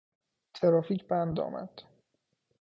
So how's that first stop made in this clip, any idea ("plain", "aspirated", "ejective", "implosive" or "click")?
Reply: aspirated